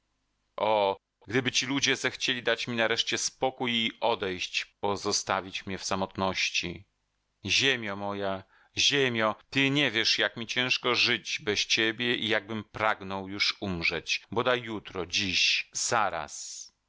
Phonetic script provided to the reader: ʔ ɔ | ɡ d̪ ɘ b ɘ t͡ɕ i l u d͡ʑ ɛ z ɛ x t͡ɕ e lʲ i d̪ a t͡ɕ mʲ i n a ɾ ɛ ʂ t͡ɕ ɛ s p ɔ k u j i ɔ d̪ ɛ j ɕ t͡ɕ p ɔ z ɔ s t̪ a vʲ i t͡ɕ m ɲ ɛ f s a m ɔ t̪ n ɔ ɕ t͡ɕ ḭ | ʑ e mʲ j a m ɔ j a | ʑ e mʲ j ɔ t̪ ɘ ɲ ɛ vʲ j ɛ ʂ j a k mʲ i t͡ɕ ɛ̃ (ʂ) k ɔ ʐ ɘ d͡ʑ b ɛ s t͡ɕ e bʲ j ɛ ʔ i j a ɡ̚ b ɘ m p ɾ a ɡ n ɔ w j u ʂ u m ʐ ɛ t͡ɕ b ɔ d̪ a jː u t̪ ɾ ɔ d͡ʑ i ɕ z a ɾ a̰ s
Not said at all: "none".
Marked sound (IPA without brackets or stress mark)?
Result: ʂ